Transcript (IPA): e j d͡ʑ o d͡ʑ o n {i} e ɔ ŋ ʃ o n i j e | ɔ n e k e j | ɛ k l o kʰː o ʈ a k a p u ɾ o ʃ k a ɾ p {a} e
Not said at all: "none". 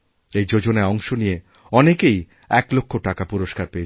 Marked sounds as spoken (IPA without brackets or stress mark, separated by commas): a, e